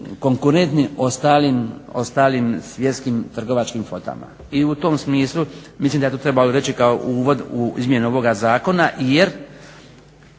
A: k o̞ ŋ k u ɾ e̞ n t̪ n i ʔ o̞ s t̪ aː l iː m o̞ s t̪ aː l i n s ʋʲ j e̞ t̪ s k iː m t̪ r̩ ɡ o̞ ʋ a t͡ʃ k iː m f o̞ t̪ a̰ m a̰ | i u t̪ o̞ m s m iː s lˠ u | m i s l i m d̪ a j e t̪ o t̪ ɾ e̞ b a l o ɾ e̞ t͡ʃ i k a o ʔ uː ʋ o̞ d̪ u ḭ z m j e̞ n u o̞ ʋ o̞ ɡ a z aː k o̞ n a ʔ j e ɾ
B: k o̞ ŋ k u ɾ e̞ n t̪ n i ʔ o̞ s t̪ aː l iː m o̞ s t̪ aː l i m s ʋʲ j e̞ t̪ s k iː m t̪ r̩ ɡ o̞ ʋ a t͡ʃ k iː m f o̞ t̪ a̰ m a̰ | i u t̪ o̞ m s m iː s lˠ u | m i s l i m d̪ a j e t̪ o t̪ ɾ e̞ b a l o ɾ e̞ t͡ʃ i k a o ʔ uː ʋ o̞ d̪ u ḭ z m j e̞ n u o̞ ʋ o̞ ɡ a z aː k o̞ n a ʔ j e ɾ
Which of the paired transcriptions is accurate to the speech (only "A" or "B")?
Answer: B